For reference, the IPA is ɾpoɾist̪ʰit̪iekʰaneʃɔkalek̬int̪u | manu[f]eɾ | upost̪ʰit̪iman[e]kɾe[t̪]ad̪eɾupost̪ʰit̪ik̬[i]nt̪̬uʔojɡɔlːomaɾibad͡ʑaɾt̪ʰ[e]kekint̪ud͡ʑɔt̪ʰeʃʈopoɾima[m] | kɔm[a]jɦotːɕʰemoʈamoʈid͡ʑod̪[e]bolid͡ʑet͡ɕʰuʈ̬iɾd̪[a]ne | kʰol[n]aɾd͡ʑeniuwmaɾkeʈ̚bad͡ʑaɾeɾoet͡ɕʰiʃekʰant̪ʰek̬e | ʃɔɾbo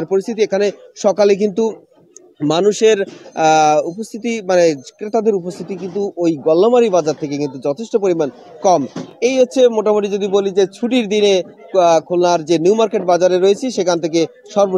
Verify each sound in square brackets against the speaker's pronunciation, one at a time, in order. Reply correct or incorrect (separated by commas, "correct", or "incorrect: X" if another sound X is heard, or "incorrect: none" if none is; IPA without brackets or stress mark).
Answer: incorrect: ʃ, correct, correct, correct, correct, incorrect: n, incorrect: e, incorrect: i, incorrect: i, correct